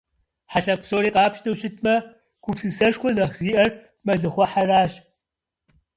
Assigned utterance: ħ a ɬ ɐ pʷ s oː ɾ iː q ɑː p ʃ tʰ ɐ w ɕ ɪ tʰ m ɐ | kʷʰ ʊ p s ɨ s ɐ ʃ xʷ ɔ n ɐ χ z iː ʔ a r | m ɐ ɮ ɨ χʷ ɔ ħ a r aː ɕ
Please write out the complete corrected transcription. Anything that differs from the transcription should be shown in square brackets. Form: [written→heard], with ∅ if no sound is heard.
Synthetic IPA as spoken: ħ a ɬ ɐ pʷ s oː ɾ iː q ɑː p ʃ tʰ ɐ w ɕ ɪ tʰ m ɐ | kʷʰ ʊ p s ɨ s ɐ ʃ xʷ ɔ n ɐ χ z iː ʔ [a→ɐ] r | m ɐ ɮ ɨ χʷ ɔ ħ a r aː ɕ